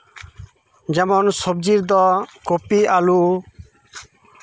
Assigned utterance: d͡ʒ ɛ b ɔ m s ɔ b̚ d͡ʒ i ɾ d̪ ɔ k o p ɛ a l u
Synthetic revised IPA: d͡ʒ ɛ m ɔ n s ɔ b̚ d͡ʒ i ɾ d̪ ɔ k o p i a l u